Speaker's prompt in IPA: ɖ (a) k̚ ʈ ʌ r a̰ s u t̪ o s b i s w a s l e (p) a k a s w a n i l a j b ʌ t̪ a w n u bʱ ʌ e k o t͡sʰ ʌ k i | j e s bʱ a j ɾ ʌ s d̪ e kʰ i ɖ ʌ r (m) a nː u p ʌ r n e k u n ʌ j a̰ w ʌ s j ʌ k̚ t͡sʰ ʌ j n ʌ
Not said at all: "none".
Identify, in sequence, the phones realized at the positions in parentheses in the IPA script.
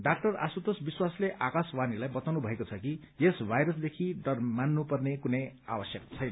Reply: a, ʔ, m

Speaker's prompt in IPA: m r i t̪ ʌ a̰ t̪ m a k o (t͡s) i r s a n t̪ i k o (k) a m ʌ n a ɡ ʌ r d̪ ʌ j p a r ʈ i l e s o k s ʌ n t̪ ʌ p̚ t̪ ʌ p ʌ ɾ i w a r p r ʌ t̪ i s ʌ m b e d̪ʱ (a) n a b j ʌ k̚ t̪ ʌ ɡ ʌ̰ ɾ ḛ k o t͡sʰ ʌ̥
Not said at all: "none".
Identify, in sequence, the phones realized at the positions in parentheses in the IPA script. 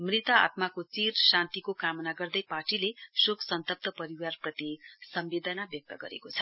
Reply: t͡s, k, ʌ

